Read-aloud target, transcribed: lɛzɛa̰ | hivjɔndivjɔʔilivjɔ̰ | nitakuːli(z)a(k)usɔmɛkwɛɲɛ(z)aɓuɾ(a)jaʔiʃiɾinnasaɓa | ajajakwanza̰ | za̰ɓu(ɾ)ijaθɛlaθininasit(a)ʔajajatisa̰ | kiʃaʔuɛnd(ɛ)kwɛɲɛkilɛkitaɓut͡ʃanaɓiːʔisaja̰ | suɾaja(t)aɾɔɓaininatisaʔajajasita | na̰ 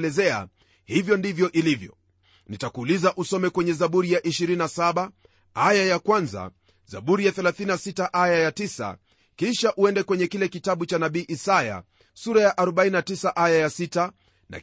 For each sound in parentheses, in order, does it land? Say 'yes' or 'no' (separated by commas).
yes, no, yes, no, yes, yes, yes, no